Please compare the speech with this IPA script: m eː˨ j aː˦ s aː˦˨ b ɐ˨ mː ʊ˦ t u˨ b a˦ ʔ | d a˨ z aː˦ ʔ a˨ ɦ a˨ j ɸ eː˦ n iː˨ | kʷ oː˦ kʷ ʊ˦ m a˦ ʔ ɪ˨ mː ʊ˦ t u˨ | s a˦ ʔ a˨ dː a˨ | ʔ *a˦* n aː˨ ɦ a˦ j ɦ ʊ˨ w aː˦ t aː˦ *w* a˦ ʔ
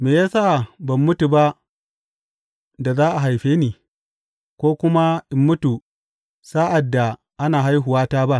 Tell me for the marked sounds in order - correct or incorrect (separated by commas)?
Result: correct, incorrect